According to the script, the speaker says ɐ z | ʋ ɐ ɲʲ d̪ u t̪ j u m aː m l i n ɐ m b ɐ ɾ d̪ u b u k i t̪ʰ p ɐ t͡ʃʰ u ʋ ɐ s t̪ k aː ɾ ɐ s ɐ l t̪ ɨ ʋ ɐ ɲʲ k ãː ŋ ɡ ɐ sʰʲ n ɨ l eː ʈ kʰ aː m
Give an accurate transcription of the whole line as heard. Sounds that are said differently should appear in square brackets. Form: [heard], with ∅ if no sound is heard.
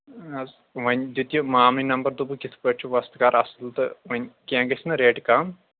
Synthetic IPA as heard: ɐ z | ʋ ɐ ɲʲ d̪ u t̪ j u m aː m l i n ɐ m b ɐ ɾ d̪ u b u k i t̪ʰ p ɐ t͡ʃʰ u ʋ ɐ s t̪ k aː ɾ ɐ s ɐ l t̪ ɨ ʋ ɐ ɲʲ k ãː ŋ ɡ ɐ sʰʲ n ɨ [ɾ] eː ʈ [k] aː m